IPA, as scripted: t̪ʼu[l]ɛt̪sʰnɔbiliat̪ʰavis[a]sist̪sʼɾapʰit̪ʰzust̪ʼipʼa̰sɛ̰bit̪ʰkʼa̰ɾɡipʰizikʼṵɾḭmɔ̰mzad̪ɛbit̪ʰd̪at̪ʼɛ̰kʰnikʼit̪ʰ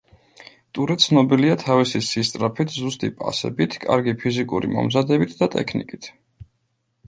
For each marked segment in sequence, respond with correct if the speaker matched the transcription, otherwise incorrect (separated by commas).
incorrect, incorrect